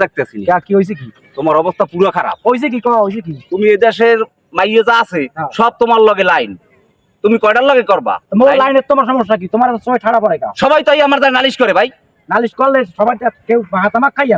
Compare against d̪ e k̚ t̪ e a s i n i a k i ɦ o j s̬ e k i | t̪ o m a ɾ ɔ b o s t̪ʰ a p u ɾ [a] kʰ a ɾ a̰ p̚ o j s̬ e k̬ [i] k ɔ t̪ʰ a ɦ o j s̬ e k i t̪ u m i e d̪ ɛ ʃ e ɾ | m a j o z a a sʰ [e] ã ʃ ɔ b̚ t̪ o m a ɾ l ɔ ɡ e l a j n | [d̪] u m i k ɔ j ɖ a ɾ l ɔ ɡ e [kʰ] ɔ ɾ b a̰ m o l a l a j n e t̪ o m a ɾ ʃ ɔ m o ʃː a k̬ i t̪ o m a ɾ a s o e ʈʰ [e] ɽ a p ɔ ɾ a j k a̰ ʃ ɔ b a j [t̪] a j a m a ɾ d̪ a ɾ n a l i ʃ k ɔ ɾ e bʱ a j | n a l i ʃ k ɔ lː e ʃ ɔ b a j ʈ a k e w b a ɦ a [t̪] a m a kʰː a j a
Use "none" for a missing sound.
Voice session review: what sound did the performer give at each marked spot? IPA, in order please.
a, i, e, t̪, k, a, t̪, t̪

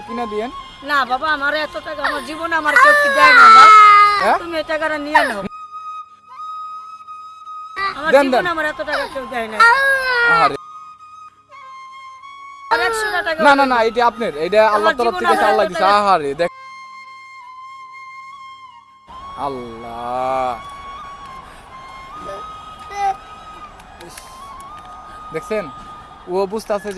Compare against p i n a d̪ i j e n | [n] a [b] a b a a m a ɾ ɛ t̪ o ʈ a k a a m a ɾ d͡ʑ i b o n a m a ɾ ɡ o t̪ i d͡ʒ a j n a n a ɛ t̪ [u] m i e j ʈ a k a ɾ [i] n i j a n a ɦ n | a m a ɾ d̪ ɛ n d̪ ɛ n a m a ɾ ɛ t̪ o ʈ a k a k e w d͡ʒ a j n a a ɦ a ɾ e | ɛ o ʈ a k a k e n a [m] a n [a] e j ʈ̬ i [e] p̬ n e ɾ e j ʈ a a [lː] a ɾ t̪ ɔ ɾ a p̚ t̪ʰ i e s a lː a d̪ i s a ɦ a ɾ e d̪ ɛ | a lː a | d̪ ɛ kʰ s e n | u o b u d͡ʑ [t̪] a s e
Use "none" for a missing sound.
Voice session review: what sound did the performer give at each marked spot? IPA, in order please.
n, b, u, a, n, a, a, lː, t̪

